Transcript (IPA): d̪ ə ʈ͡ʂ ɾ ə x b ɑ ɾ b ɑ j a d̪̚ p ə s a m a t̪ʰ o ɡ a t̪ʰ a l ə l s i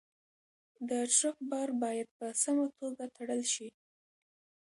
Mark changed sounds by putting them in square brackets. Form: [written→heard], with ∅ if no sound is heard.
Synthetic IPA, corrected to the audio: d̪ ə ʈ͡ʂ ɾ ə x b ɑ ɾ b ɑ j a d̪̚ p ə s a m a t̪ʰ o ɡ a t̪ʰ a [l→ɽ] ə l [s→ʃ] i